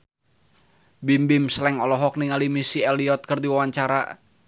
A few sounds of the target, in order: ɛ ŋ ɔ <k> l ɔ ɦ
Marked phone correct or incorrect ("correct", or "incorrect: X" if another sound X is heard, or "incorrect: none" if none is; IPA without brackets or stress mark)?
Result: incorrect: none